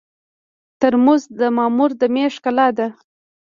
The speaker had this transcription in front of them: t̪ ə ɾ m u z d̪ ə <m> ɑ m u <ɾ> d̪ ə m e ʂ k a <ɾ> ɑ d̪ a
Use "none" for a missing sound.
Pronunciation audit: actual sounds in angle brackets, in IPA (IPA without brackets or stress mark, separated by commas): m, ɾ, l